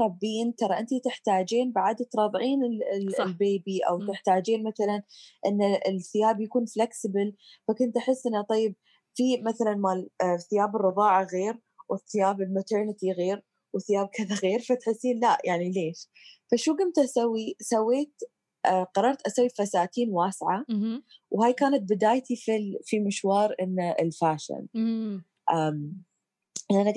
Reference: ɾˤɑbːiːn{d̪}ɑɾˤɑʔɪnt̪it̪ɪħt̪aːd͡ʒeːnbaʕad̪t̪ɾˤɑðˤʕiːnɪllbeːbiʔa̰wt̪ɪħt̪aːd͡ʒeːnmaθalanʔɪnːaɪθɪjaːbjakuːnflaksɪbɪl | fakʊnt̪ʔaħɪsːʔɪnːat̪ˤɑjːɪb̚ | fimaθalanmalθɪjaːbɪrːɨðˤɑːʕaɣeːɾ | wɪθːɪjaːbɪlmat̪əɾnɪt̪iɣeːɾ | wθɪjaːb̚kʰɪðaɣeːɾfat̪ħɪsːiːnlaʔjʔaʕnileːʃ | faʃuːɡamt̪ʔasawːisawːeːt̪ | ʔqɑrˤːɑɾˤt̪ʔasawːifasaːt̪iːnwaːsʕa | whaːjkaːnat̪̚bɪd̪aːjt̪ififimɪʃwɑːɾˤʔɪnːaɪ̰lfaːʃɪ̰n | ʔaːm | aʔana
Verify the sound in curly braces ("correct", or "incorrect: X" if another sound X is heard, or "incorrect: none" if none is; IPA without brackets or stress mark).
incorrect: t̪